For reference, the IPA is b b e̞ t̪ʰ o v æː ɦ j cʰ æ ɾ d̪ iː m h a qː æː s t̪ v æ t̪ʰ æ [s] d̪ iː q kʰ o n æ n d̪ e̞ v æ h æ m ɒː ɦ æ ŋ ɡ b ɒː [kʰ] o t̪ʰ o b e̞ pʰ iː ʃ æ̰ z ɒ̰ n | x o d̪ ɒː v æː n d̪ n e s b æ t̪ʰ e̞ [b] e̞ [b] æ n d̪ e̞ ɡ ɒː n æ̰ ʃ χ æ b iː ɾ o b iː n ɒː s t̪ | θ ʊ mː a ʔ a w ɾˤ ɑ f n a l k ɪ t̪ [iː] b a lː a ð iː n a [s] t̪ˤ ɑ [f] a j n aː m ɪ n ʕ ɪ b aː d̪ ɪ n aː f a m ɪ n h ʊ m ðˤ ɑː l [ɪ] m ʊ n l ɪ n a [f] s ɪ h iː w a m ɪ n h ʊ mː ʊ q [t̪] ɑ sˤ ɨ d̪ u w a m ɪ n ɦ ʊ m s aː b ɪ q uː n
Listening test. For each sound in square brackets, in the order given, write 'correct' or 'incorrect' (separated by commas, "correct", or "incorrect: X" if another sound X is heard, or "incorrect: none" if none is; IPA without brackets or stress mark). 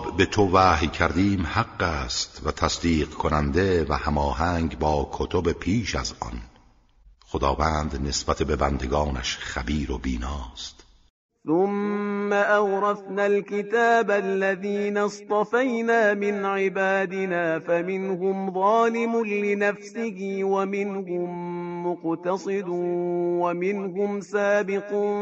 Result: correct, correct, correct, correct, incorrect: aː, correct, correct, correct, correct, correct